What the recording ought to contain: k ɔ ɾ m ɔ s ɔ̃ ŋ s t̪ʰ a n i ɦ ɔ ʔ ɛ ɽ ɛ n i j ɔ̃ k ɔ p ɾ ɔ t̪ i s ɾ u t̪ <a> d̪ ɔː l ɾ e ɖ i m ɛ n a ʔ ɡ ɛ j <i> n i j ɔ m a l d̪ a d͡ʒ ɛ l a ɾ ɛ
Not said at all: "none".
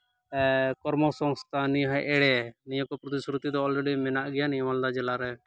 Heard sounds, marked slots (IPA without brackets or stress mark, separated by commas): i, a